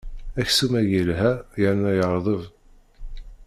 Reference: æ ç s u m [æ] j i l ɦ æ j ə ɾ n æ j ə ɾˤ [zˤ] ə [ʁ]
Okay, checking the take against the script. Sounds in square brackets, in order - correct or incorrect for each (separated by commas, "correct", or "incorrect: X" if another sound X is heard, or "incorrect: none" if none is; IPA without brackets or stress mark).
correct, incorrect: ðˤ, incorrect: v